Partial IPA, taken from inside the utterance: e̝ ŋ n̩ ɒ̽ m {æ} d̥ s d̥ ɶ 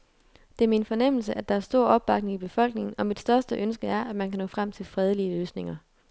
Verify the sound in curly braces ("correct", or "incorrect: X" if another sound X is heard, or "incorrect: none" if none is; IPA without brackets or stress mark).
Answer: incorrect: i